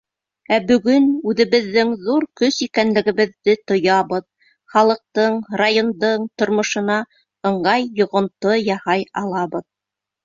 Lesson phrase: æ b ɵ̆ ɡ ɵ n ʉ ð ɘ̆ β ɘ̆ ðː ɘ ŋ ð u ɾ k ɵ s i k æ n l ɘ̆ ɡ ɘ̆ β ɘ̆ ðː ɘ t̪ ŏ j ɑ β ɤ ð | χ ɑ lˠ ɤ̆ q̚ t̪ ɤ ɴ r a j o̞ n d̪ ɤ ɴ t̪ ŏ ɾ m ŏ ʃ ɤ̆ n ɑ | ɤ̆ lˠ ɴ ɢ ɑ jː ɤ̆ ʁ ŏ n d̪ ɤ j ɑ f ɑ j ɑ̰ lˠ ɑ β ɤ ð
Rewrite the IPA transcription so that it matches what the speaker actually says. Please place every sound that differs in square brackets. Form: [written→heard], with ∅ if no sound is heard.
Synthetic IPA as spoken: æ b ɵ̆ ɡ ɵ n ʉ ð ɘ̆ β ɘ̆ ðː ɘ ŋ ð u ɾ k ɵ s i k æ n l ɘ̆ ɡ ɘ̆ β ɘ̆ ðː ɘ t̪ ŏ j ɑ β ɤ ð | χ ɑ lˠ ɤ̆ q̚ t̪ ɤ ɴ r a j o̞ n d̪ ɤ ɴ t̪ ŏ ɾ m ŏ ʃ ɤ̆ n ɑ | ɤ̆ [lˠ→∅] ɴ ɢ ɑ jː [ɤ̆→ŏ] ʁ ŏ n [d̪→t̪] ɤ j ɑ [f→h] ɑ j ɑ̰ lˠ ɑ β ɤ ð

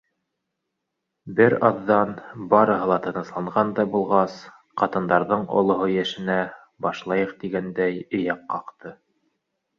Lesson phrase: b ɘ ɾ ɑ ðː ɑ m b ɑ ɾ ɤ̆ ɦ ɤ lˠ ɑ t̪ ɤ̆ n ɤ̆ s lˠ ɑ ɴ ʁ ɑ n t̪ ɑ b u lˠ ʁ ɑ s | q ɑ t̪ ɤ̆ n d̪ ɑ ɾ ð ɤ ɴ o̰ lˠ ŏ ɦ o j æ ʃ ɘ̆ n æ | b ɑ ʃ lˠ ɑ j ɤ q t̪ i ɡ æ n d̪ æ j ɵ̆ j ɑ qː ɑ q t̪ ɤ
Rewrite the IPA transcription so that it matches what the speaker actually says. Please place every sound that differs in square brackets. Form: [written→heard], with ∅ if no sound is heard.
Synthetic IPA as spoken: b ɘ ɾ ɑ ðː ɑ [m→n] b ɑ ɾ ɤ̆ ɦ ɤ lˠ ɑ t̪ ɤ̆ n ɤ̆ s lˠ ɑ ɴ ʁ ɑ n [t̪→d̪] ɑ b u lˠ ʁ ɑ s | q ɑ t̪ ɤ̆ n d̪ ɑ ɾ ð ɤ ɴ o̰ lˠ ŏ ɦ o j æ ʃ ɘ̆ n æ | b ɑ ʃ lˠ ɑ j ɤ q t̪ i ɡ æ n d̪ æ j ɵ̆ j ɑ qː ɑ q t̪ ɤ

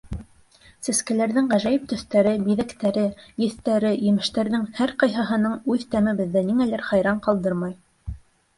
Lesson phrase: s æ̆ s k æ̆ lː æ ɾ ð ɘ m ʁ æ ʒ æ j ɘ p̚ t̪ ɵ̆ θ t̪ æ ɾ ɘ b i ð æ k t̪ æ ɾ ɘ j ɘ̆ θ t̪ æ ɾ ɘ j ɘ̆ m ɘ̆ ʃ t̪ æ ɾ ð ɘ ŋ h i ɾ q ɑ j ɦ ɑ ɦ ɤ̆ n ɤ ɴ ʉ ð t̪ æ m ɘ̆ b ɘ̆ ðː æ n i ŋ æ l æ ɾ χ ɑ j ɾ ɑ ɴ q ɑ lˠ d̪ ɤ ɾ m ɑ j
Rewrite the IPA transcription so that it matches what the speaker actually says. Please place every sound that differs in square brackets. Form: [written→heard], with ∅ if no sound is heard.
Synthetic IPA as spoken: s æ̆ s k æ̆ [lː→l] æ ɾ ð ɘ [m→ŋ] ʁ æ ʒ æ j ɘ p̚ t̪ ɵ̆ θ t̪ æ ɾ ɘ b i ð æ k t̪ æ ɾ ɘ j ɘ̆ θ t̪ æ ɾ ɘ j ɘ̆ m ɘ̆ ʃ t̪ æ ɾ ð ɘ ŋ h [i→æ] ɾ q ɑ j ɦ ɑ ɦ ɤ̆ n ɤ ɴ ʉ ð t̪ æ m ɘ̆ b ɘ̆ ðː æ n i ŋ æ l æ ɾ χ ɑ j ɾ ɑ ɴ q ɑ lˠ d̪ ɤ ɾ m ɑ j

